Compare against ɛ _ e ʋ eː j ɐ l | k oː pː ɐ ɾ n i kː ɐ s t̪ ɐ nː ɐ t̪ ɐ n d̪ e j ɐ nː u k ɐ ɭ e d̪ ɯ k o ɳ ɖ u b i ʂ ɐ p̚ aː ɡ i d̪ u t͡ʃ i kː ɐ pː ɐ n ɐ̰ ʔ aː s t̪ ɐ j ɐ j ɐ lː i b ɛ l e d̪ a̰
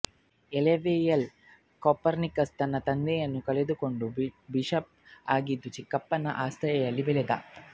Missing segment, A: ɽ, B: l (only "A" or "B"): B